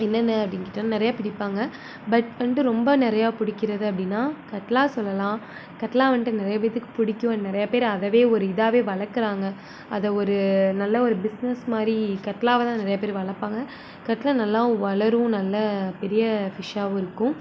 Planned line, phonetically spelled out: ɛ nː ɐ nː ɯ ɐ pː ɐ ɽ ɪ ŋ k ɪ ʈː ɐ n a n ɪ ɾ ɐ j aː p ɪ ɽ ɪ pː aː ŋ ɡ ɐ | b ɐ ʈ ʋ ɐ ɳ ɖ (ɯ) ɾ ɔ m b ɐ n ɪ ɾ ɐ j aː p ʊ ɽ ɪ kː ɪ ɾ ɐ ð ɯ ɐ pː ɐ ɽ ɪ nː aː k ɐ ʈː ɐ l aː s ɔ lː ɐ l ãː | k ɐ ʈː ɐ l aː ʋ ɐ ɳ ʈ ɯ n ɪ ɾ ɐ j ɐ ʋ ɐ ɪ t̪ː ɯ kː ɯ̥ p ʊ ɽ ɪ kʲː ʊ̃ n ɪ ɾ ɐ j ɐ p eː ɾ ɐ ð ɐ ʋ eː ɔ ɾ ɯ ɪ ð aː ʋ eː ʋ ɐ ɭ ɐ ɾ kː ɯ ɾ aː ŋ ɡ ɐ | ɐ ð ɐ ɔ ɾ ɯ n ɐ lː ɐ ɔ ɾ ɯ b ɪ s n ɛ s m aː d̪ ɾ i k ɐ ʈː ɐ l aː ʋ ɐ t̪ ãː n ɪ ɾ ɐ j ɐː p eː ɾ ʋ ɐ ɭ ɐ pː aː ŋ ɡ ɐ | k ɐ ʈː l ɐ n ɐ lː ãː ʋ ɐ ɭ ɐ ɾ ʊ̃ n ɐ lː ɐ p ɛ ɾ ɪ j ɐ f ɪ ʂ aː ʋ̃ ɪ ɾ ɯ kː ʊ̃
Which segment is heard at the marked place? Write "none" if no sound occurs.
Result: ɯ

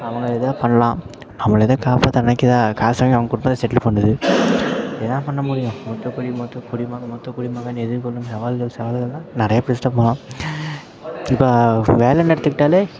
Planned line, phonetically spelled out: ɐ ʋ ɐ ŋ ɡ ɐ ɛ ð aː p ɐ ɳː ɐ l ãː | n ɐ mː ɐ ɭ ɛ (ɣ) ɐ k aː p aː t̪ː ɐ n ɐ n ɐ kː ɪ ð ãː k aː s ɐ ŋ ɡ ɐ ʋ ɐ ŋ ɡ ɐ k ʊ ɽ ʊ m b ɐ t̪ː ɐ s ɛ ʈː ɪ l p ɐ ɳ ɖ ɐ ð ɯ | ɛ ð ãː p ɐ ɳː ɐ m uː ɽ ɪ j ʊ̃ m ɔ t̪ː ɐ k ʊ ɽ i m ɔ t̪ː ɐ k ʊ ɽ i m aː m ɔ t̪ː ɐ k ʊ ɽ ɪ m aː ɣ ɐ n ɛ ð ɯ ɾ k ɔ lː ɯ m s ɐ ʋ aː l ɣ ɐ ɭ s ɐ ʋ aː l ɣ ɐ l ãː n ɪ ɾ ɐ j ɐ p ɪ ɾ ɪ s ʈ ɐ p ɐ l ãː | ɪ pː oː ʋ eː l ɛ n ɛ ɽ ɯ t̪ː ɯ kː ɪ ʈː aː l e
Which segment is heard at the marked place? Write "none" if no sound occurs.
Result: ð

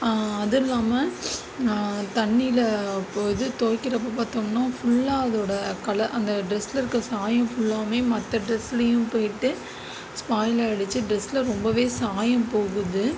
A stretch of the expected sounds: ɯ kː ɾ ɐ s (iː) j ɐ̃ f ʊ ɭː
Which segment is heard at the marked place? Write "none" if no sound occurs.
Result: aː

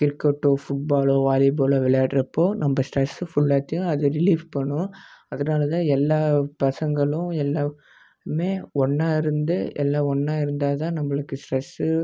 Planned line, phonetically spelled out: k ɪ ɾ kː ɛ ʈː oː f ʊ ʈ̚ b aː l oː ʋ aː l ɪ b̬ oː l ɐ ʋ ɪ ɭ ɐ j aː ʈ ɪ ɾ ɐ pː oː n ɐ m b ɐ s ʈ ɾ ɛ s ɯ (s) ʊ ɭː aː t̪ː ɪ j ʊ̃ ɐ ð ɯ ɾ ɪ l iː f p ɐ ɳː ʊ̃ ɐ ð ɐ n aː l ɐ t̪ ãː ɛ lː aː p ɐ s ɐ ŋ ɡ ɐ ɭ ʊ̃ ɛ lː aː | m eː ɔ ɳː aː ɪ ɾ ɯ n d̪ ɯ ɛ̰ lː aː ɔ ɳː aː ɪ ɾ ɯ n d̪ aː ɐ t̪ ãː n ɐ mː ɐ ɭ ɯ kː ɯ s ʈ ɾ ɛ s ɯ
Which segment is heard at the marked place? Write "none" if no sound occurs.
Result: f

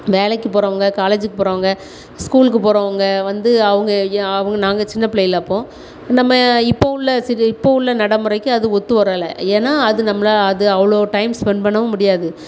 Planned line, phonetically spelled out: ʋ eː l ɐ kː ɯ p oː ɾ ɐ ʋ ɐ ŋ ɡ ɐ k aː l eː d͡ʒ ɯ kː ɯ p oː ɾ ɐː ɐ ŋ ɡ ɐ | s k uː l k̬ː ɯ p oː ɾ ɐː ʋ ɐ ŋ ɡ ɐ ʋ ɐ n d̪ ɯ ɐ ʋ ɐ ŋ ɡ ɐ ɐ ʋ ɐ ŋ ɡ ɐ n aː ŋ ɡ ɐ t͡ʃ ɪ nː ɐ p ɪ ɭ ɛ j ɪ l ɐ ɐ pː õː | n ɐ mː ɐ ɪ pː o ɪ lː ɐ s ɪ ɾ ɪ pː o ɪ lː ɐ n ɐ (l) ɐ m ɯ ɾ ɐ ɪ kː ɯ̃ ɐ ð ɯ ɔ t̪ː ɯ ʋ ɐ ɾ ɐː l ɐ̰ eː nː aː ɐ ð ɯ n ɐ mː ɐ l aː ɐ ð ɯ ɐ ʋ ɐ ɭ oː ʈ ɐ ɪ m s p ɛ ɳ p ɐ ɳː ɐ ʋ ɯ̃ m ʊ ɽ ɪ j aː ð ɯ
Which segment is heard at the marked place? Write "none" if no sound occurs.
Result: ɽ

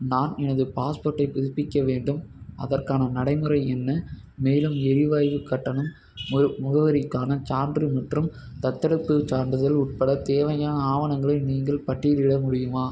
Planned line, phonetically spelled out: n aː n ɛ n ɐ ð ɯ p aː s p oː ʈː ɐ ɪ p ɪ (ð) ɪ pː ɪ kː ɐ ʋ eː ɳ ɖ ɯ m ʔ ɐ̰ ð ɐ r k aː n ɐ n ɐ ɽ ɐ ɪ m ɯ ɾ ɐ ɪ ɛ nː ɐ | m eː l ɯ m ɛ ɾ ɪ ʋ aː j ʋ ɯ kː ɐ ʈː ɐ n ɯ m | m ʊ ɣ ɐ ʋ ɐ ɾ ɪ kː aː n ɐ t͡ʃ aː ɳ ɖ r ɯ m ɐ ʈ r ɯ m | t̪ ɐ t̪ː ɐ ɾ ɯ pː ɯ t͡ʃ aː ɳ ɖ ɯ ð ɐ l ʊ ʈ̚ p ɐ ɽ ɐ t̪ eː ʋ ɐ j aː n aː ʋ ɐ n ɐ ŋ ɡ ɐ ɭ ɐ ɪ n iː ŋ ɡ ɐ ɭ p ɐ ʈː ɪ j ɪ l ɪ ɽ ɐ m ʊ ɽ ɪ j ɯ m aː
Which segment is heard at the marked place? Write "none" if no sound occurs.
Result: ð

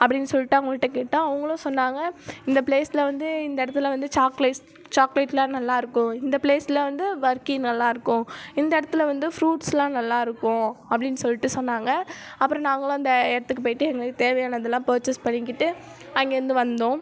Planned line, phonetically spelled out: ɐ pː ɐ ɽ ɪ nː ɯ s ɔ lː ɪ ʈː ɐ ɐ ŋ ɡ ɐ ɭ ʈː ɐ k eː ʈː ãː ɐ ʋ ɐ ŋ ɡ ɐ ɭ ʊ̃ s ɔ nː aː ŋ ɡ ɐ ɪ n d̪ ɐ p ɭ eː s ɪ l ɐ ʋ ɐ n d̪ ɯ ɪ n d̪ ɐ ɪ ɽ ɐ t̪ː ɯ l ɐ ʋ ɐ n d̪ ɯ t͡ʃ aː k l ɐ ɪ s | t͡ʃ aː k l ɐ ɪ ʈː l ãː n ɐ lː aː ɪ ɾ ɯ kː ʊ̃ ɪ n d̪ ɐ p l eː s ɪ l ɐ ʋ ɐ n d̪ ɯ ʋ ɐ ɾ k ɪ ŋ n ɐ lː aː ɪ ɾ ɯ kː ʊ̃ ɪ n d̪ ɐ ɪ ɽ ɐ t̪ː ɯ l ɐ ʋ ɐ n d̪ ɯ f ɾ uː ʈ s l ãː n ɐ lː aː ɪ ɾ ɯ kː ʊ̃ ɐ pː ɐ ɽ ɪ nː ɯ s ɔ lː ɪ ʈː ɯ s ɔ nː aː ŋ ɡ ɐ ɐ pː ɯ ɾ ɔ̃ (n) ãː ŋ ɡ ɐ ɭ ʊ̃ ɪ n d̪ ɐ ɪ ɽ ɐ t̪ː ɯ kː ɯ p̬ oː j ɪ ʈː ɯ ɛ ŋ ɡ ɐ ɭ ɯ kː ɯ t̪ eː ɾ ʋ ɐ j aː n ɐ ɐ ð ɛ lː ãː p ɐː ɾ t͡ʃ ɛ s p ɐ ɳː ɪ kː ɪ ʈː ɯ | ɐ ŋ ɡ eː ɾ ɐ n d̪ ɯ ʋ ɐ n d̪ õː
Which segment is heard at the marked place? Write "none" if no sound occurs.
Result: n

